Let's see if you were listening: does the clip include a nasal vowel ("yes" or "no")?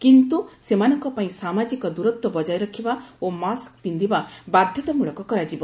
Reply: yes